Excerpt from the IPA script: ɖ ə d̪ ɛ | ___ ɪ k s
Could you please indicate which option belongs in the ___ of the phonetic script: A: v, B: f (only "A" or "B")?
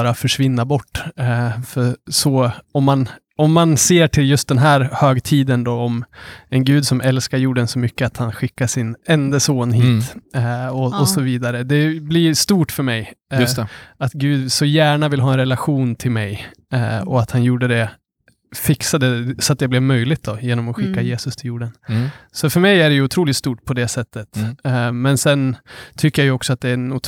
B